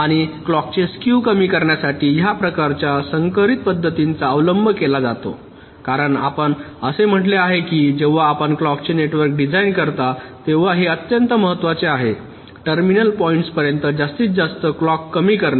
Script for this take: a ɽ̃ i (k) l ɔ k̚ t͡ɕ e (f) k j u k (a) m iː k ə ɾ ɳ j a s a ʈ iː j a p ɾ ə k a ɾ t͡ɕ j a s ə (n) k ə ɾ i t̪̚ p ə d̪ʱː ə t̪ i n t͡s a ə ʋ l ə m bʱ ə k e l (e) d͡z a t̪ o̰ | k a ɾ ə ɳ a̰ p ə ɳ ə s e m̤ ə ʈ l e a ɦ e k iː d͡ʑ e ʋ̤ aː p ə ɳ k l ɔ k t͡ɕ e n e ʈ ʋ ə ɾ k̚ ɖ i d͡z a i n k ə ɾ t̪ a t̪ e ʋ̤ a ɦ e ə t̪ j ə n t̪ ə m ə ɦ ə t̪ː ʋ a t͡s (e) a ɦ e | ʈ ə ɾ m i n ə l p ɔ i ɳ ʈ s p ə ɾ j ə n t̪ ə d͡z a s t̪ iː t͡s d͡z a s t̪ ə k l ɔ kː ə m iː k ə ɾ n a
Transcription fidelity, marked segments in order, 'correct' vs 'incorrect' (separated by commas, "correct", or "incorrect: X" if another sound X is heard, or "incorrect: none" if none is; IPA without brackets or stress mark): correct, incorrect: s, incorrect: ə, incorrect: ŋ, incorrect: a, correct